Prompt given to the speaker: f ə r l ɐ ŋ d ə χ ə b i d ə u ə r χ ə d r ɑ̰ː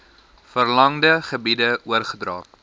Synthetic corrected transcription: f ə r l ɐ ŋ d ə χ ə b i d ə u ə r χ ə d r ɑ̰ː

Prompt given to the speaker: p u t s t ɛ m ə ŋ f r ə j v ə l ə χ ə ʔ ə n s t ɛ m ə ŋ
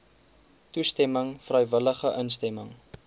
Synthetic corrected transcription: t u s t ɛ m ə ŋ f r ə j v ə l ə χ ə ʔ ə n s t ɛ m ə ŋ

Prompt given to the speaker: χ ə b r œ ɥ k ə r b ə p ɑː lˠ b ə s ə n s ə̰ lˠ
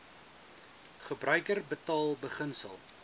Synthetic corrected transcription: χ ə b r œ ɥ k ə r b ə t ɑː lˠ b ə χ ə n s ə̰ lˠ

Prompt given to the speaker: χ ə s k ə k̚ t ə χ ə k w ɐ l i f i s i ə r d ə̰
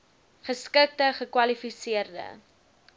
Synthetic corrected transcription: χ ə s k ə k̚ t ə χ ə k w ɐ l i f i s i ə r d ə̰

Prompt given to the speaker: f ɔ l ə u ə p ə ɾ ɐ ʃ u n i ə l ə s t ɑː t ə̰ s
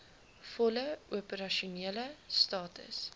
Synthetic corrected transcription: f ɔ l ə u ə p ə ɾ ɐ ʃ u n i ə l ə s t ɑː t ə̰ s

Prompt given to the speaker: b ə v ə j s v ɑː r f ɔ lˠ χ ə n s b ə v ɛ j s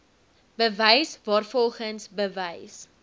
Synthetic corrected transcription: b ə v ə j s v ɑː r f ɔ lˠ χ ə n s b ə v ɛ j s

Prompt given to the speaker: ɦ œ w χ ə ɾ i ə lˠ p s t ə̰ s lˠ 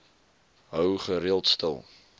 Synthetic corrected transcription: ɦ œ w χ ə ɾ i ə lˠ t s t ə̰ lˠ

